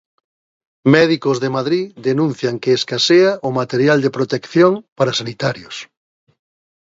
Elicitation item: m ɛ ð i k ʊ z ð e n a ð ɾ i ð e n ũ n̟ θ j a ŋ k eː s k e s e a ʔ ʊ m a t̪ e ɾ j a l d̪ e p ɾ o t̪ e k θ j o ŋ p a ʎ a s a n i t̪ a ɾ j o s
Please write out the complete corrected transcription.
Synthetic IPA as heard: m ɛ ð i k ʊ z ð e m a ð ɾ i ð e n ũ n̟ θ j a ŋ k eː s k a s e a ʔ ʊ m a t̪ e ɾ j a l d̪ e p ɾ o t̪ e k θ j o ŋ p a ɾ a s a n i t̪ a ɾ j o s